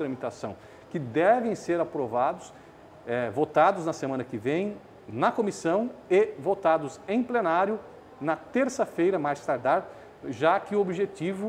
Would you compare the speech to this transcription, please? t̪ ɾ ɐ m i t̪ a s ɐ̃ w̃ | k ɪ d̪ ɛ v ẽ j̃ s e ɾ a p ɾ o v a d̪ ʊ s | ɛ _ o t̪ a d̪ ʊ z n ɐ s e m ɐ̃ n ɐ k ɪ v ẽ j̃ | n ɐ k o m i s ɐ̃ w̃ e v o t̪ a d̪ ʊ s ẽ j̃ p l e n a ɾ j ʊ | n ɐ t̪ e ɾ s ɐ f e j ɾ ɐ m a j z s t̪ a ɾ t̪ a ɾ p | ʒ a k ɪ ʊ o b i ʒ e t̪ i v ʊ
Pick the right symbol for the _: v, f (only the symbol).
v